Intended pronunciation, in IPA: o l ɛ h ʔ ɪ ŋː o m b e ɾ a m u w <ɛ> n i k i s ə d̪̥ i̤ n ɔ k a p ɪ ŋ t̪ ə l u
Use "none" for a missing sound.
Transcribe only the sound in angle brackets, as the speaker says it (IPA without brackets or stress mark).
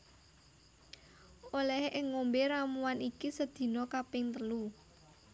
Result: a